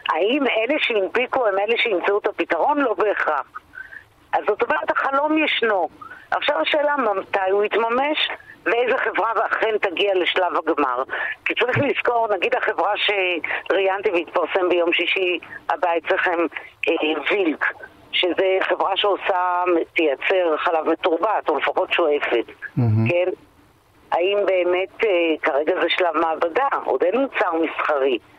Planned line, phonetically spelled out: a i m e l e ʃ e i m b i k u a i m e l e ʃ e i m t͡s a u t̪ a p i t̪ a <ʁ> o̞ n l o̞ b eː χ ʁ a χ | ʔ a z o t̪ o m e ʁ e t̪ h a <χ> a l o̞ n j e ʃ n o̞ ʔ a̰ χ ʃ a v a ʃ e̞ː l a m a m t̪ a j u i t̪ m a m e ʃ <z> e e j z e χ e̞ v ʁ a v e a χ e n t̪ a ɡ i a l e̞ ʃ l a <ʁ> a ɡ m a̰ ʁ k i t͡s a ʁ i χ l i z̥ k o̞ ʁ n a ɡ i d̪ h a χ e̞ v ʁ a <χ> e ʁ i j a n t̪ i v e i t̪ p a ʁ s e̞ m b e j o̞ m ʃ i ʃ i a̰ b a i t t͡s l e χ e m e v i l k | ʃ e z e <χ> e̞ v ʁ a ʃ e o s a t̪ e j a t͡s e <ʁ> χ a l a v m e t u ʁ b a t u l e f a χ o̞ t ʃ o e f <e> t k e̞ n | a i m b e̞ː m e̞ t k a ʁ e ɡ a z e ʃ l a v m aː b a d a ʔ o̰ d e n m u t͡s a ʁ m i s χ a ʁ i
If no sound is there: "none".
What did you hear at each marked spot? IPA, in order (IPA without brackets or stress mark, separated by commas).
ʁ, χ, v, v, ʃ, χ, ʁ, e